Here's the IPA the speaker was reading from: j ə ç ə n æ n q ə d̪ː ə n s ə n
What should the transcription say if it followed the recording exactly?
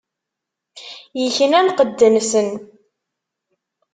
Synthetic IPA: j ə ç ə n æ n q ə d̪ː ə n s ə n